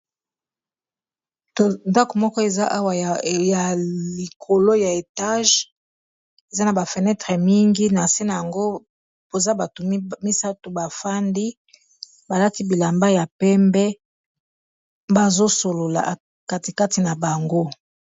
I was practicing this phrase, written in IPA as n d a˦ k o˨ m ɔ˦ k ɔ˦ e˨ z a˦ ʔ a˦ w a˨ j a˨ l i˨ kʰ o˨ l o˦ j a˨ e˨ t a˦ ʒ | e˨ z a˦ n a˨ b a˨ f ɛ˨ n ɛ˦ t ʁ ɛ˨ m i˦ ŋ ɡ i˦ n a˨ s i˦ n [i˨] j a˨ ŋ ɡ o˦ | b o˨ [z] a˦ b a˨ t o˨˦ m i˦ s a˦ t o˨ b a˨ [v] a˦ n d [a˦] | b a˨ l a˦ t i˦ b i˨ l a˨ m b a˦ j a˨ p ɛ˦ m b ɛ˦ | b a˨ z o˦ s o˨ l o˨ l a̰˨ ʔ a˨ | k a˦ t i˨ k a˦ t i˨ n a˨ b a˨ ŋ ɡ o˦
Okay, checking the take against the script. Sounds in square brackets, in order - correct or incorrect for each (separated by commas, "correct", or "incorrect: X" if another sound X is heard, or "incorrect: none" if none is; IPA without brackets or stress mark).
incorrect: a˨, correct, incorrect: f, incorrect: i˦